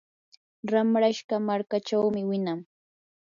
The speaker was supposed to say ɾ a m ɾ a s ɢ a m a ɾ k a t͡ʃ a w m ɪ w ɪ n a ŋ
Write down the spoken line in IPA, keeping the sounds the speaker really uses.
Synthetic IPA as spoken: ɾ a m ɾ a ʃ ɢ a m a ɾ k a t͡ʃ a w m ɪ w ɪ n a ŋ